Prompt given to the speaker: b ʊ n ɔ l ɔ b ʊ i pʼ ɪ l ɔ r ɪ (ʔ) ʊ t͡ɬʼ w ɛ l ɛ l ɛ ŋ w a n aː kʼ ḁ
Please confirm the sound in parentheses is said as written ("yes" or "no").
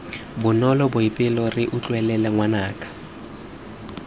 yes